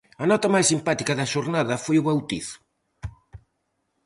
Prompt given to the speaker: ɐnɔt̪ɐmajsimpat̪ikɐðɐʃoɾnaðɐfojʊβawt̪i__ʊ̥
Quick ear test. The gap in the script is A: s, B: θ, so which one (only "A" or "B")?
B